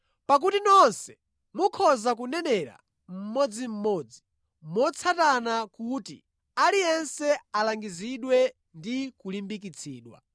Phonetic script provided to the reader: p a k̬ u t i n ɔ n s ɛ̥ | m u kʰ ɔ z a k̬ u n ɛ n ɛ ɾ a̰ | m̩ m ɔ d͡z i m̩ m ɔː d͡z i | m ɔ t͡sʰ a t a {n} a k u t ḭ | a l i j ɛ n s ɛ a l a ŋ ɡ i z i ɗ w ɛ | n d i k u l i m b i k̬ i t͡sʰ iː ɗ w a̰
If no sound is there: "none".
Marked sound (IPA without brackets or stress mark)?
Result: n